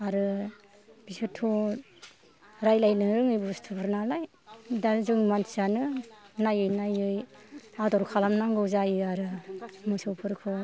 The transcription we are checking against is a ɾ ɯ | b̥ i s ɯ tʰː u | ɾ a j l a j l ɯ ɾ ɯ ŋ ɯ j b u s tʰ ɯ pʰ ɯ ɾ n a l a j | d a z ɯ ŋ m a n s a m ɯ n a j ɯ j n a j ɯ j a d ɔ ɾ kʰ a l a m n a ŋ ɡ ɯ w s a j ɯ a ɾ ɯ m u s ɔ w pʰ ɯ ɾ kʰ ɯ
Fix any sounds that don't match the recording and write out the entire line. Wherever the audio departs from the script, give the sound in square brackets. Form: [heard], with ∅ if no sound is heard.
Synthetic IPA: a ɾ ɯ | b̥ i s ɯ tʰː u | ɾ a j l a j l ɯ ɾ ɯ ŋ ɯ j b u s tʰ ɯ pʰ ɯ ɾ n a l a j | d a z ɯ ŋ m a n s a [n] ɯ n a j ɯ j n a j ɯ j a d ɔ ɾ kʰ a l a m n a ŋ ɡ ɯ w [z] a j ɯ a ɾ ɯ m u s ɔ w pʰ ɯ ɾ kʰ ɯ

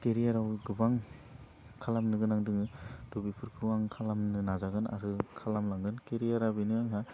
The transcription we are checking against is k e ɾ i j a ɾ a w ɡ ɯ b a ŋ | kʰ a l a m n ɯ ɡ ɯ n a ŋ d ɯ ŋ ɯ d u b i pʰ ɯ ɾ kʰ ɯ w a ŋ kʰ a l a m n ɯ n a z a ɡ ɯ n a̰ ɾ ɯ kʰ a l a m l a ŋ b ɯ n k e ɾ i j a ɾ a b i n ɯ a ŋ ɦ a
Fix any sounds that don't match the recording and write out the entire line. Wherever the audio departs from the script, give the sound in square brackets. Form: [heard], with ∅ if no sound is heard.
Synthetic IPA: k e ɾ i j a ɾ a w ɡ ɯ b a ŋ | kʰ a l a m n ɯ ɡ ɯ n a ŋ d ɯ ŋ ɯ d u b i pʰ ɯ ɾ kʰ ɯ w a ŋ kʰ a l a m n ɯ n a z a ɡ ɯ n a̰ ɾ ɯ kʰ a l a m l a ŋ [ɡ] ɯ n k e ɾ i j a ɾ a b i n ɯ a ŋ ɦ a

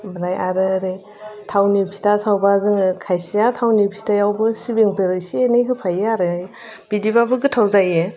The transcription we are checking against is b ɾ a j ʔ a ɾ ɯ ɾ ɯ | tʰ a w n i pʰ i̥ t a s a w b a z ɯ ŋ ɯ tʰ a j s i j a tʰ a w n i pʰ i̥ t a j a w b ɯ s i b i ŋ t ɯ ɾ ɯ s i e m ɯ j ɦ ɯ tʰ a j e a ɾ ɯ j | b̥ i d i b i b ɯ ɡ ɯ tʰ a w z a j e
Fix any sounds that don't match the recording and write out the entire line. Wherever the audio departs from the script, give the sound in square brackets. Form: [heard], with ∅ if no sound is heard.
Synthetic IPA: b ɾ a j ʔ a ɾ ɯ ɾ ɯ | tʰ a w n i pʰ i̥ t a s a w b a z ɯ ŋ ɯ [kʰ] a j s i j a tʰ a w n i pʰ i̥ t a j a w b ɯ s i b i ŋ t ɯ ɾ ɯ s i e [n] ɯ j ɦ ɯ [pʰ] a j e a ɾ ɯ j | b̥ i d i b [a] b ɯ ɡ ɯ tʰ a w z a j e

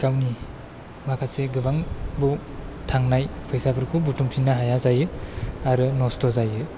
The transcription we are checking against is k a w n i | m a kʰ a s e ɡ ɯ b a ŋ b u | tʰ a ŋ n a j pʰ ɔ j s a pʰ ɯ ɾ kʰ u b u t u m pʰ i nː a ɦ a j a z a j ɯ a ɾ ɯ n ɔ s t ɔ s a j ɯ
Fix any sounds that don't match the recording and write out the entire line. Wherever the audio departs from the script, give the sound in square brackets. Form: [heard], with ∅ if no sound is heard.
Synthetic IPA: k a w n i | m a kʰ a s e ɡ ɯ b a ŋ b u | tʰ a ŋ n a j pʰ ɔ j s a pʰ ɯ ɾ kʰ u b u t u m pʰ i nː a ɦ a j a z a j ɯ a ɾ ɯ n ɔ s t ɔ [z] a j ɯ

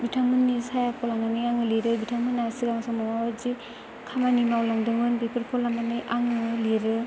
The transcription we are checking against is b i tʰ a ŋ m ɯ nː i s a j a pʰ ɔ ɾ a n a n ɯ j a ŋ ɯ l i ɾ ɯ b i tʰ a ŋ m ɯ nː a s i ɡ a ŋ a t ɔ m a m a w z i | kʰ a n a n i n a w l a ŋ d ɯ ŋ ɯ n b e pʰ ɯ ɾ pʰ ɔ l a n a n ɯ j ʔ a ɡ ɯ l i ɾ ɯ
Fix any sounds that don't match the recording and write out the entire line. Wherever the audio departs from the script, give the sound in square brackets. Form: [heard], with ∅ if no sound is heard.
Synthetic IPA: b i tʰ a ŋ m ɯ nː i s a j a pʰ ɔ [l] a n a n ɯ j a ŋ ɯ l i ɾ ɯ b i tʰ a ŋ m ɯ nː a s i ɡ a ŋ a [s] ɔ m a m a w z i | kʰ a [m] a n i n a w l a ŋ d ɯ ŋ ɯ n b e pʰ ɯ ɾ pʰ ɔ l a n a n ɯ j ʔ a [ŋ] ɯ l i ɾ ɯ

